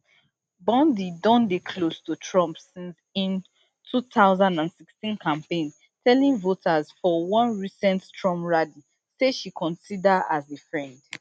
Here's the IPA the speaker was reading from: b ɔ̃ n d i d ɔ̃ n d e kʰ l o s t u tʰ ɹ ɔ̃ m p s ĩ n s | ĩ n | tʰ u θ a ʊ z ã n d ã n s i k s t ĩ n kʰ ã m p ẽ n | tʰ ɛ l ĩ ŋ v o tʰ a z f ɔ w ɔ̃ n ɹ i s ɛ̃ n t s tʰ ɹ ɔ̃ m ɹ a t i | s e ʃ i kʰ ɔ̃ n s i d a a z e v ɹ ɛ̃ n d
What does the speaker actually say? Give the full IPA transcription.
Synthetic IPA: b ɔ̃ n d i d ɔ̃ n d e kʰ l o s t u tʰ ɹ ɔ̃ m p s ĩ n s | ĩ n | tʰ u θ a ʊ z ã n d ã n s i k s t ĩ n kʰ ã m p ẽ n | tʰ ɛ l ĩ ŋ v o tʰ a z f ɔ w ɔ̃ n ɹ i s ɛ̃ n t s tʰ ɹ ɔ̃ m ɹ a d i | s e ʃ i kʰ ɔ̃ n s i d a a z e f ɹ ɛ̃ n d